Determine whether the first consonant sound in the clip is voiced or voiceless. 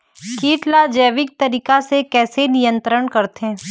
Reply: voiceless